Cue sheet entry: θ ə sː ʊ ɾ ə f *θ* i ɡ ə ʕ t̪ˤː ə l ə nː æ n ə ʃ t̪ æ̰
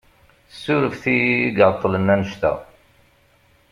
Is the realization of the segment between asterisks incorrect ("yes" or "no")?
no